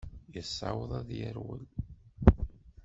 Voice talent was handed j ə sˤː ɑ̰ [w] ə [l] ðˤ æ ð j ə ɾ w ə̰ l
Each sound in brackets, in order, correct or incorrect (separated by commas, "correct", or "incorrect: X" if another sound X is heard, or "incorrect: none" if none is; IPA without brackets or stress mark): correct, incorrect: none